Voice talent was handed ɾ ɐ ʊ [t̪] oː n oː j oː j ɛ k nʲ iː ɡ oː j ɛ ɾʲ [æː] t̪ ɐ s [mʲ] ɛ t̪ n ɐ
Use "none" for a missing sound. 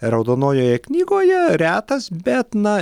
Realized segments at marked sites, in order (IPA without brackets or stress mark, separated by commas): d̪, æː, bʲ